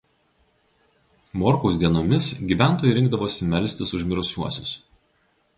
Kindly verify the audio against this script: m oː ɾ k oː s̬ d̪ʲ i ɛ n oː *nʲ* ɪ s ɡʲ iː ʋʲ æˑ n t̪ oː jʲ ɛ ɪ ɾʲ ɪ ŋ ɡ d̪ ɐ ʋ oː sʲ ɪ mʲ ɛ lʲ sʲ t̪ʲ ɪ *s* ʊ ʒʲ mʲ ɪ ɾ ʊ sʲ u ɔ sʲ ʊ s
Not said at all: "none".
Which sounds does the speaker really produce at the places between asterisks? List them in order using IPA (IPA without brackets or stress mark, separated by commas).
mʲ, s